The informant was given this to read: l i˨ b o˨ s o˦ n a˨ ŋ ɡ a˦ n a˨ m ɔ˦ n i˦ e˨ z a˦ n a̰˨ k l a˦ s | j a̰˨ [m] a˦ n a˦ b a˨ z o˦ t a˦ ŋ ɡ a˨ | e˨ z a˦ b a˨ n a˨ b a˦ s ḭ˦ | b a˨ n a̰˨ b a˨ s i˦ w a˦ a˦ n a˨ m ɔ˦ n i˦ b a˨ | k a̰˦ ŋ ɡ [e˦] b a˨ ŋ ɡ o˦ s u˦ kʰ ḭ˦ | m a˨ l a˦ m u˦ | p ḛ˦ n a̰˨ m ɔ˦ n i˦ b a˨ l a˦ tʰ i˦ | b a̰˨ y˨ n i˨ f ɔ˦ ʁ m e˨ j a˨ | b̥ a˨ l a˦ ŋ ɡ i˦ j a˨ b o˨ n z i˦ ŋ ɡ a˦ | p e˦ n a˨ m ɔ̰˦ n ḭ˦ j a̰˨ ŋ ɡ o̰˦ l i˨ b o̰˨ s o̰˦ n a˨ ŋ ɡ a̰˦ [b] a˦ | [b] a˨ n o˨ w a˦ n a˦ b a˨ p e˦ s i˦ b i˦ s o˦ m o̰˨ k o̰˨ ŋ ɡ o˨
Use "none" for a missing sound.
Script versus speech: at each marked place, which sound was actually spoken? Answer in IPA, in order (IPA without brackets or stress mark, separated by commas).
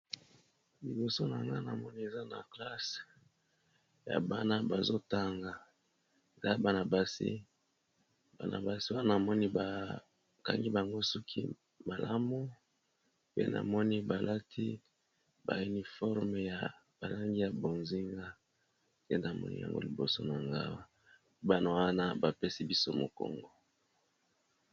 b, i˦, w, b